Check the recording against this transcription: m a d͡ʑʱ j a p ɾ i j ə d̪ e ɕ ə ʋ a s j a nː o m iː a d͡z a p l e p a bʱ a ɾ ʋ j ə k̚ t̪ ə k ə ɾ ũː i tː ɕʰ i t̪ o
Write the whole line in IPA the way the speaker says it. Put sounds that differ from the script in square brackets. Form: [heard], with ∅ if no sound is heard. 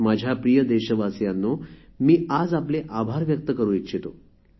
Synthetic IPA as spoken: m a d͡ʑʱ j a p ɾ i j ə d̪ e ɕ ə ʋ a s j a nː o m iː a d͡z a p l e [ʔ] a bʱ a ɾ ʋ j ə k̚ t̪ ə k ə ɾ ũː i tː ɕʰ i t̪ o